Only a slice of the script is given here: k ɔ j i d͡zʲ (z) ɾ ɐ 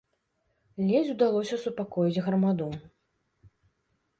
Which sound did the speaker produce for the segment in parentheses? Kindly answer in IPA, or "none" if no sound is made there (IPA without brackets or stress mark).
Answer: ɣ